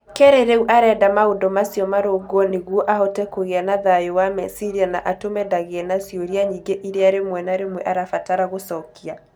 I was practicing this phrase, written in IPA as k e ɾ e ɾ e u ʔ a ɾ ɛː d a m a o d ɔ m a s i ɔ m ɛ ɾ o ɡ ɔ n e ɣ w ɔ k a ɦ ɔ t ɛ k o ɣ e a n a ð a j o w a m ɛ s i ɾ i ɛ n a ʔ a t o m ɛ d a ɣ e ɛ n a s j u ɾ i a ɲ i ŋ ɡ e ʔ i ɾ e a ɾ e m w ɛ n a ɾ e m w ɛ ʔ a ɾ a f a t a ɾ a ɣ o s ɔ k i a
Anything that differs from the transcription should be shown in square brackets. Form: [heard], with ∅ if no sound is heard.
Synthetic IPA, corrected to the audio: k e ɾ e ɾ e u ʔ a ɾ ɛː d a m a o d ɔ m a s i ɔ m [a] ɾ o ɡ ɔ n e ɣ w ɔ [ʔ] a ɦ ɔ t ɛ k o ɣ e a n a ð a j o w a m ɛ s i ɾ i [a] n a ʔ a t o m ɛ d a ɣ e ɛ n a s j [o] ɾ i a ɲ i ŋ ɡ e ʔ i ɾ e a ɾ e m w ɛ n a ɾ e m w ɛ ʔ a ɾ a f a t a ɾ a ɣ o s ɔ k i a